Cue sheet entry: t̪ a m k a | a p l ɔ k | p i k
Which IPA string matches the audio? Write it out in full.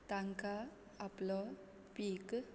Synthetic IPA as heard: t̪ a ŋ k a | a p l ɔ | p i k